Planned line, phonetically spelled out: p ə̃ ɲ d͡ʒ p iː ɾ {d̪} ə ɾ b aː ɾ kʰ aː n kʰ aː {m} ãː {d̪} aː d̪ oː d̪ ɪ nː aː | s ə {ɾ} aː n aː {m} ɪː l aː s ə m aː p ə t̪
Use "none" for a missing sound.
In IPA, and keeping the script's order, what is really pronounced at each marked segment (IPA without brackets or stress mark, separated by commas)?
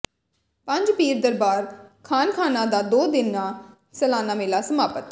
d̪, n, d̪, l, m